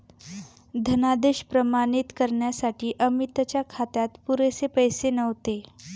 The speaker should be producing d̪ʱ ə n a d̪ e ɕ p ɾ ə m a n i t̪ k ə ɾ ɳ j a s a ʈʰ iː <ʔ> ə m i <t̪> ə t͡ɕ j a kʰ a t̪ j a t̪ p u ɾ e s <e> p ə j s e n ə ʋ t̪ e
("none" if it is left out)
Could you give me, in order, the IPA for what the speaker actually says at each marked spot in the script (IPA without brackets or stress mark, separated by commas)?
ʔ, t̪, e